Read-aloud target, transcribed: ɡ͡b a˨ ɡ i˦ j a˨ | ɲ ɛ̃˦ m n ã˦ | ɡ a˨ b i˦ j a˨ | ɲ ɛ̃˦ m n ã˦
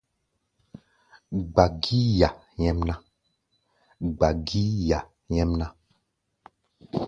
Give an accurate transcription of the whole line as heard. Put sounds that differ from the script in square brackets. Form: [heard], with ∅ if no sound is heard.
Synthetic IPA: ɡ͡b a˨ ɡ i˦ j a˨ | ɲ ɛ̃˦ m n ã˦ | [ɡ͡b] a˨ [ɡ] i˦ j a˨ | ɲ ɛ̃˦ m n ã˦

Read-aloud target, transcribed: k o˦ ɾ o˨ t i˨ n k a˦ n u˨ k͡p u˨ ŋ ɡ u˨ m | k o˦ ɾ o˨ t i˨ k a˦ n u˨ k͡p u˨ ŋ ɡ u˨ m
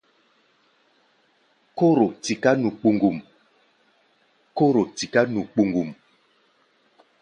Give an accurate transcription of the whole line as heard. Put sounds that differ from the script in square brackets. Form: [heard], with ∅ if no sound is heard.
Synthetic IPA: k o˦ ɾ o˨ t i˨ [∅] k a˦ n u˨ k͡p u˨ ŋ ɡ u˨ m | k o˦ ɾ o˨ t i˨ k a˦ n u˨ k͡p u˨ ŋ ɡ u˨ m

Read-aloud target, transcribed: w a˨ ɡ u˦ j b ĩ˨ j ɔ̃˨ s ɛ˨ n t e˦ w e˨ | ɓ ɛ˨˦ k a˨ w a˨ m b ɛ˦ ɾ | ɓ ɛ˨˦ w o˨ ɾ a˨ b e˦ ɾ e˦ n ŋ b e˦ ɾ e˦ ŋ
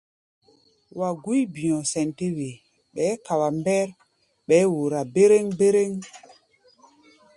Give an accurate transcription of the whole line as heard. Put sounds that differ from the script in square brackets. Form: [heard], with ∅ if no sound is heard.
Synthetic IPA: w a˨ ɡ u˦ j b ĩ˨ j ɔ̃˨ s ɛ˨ n t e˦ w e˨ | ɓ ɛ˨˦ k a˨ w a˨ m b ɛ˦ ɾ | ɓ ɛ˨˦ w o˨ ɾ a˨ b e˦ ɾ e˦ [∅] ŋ b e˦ ɾ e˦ ŋ

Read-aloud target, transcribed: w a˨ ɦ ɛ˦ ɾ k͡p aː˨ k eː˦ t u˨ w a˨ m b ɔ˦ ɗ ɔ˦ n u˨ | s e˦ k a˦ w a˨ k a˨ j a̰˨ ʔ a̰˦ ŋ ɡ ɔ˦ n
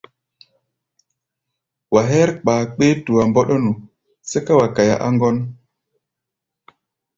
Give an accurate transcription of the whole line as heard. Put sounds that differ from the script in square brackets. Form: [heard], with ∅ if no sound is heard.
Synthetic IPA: w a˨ ɦ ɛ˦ ɾ k͡p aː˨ [k͡p] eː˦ t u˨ w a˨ m b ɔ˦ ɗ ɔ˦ n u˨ | s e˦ k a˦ w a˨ k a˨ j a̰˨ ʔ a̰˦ ŋ ɡ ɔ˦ n

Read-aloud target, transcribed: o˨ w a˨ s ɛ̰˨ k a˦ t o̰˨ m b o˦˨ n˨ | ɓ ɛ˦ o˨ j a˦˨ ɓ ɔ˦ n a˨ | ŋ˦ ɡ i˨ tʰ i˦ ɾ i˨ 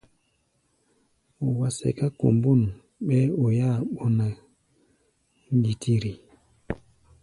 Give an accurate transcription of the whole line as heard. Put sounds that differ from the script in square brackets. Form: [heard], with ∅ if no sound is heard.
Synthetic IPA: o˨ w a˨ s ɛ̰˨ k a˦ [k] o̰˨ m b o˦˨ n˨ | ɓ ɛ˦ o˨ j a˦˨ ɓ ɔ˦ n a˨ | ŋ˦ ɡ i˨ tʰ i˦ ɾ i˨

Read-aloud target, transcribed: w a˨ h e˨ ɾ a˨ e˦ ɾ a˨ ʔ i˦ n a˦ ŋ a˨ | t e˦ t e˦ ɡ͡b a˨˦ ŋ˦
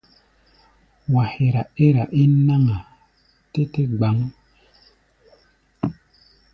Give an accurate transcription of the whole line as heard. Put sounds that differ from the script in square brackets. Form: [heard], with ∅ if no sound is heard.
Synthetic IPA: w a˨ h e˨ ɾ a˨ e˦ ɾ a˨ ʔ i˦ n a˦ ŋ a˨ | t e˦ t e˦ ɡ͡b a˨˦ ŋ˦

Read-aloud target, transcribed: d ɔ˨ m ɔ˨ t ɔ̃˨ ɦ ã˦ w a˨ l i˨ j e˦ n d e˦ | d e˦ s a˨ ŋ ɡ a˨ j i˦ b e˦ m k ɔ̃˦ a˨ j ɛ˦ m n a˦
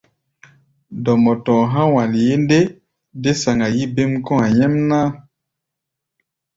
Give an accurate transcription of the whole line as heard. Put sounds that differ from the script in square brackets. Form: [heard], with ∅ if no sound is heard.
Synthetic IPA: d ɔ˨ m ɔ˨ t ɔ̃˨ ɦ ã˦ w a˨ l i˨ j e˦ n d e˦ | d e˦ s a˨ ŋ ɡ a˨ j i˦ b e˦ m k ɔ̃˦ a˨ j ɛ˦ m n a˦

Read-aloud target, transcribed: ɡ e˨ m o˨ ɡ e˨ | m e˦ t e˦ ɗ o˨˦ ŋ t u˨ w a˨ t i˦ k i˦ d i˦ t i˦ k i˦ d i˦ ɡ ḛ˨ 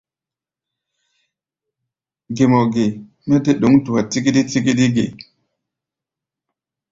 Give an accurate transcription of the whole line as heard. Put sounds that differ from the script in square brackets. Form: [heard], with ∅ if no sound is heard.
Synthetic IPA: ɡ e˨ m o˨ ɡ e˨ | m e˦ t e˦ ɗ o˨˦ ŋ t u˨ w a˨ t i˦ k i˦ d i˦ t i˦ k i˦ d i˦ ɡ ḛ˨

